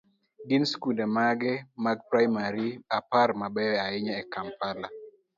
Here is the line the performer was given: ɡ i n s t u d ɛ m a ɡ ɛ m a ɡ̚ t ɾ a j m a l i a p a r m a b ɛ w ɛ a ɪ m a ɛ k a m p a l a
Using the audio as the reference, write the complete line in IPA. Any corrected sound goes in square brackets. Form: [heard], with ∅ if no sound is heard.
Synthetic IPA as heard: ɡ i n s [k] u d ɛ m a ɡ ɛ m a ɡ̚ [p] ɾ a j m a [ɾ] i a p a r m a b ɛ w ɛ a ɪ [ɲ] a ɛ k a m p a l a